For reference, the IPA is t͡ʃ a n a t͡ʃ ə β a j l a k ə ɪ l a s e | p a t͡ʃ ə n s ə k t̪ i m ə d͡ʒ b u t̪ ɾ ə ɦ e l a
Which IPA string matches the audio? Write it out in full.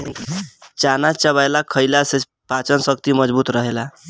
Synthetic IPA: t͡ʃ a n a t͡ʃ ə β a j l a kʰ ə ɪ l a s e | p a t͡ʃ ə n s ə k t̪ i m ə d͡ʒ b u t̪ ɾ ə ɦ e l a